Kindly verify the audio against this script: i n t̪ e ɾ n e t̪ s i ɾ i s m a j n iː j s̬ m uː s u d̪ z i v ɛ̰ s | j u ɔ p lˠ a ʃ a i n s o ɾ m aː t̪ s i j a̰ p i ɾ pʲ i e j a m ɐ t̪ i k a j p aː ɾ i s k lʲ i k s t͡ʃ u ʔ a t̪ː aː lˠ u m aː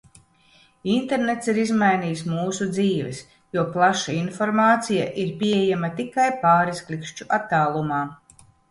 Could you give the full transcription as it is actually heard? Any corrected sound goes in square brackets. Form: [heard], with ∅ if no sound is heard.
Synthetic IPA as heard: i n t̪ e ɾ n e t̪ s i ɾ i [z] m a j n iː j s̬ m uː s u d̪ z [iː] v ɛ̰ s | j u ɔ p lˠ a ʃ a i n [f] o ɾ m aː t̪ s i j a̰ [ʔ] i ɾ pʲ i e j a m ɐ t̪ i k a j p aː ɾ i s k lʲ i k [ʃ] t͡ʃ u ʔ a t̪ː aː lˠ u m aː

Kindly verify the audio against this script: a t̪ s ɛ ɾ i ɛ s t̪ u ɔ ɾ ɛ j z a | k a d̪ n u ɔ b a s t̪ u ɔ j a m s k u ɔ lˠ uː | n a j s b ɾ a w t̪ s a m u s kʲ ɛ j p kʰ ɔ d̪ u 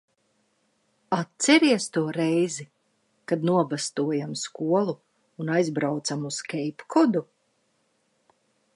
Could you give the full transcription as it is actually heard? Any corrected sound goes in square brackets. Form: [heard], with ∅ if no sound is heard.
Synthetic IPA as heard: a t̪ s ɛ ɾ i ɛ s t̪ u ɔ ɾ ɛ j z [i] | k a d̪ n u ɔ b a s t̪ u ɔ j a m s k u ɔ lˠ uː | n a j [z] b ɾ a w t̪ s a m u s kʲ ɛ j p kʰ ɔ d̪ u

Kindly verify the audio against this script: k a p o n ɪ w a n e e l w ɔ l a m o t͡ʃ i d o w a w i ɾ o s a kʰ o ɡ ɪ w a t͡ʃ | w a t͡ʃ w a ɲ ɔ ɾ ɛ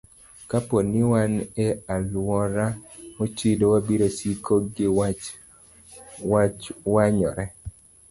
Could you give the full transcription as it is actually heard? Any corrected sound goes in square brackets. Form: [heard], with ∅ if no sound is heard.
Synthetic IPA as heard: k a p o n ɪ w a n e [a] l w ɔ [ɾ] a m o t͡ʃ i d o w a [b] i ɾ o s [i] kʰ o ɡ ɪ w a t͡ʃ | w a t͡ʃ w a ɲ ɔ ɾ ɛ

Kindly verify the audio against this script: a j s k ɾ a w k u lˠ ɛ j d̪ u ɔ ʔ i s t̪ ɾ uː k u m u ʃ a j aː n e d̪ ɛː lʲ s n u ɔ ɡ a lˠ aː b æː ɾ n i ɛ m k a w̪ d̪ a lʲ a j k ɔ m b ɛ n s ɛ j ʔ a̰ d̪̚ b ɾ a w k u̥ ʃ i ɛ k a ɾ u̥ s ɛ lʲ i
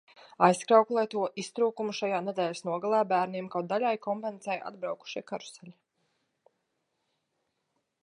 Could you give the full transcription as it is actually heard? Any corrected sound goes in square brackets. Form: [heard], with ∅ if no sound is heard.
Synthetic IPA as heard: a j s k ɾ a w k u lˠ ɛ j [t̪] u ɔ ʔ i s t̪ ɾ uː k u m u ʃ a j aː n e d̪ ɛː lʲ s n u ɔ ɡ a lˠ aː b æː ɾ n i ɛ m k a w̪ d̪ a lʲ a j k ɔ m [p] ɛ n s ɛ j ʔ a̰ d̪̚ b ɾ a w k u̥ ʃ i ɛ k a ɾ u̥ s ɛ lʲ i

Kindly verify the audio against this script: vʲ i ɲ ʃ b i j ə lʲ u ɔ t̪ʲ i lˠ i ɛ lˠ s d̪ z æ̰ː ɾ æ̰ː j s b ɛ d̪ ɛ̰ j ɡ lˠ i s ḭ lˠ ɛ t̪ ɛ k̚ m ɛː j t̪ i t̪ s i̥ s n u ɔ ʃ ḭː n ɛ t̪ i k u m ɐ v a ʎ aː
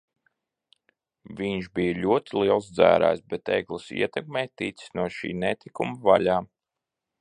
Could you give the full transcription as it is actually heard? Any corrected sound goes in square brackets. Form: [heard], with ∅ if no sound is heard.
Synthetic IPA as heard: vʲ i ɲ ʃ b i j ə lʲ u ɔ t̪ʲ i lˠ i ɛ lˠ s d̪ z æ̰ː ɾ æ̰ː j s b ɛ [t̪] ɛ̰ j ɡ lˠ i s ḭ [∅] ɛ t̪ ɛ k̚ m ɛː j t̪ i t̪ s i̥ s n u ɔ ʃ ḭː n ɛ t̪ i k u m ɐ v a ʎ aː

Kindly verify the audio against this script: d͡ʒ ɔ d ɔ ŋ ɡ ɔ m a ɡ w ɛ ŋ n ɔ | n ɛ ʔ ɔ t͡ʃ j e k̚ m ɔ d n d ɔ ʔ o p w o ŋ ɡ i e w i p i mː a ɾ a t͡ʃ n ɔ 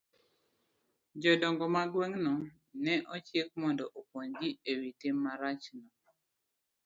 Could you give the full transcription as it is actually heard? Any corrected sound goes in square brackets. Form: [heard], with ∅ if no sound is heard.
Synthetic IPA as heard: d͡ʒ ɔ d ɔ ŋ ɡ ɔ m a ɡ w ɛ ŋ n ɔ | n ɛ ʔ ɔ t͡ʃ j e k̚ m ɔ [∅] n d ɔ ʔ o p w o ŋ ɡ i e w i [t] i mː a ɾ a t͡ʃ n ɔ

